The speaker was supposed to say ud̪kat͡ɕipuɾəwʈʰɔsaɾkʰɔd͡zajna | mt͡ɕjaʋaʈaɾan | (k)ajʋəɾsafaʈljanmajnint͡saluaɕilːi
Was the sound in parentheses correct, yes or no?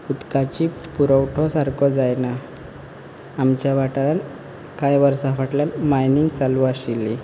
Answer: yes